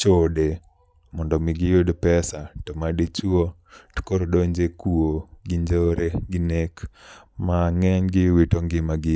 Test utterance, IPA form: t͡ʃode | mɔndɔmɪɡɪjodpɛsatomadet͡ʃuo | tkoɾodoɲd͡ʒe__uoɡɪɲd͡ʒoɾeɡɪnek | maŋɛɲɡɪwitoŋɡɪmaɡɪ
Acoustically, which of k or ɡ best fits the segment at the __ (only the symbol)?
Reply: k